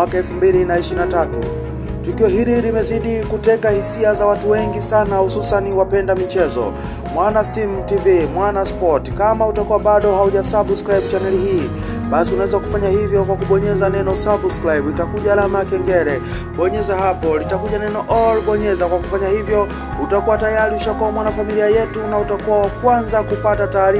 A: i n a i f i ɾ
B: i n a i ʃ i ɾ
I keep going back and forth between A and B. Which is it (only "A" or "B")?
B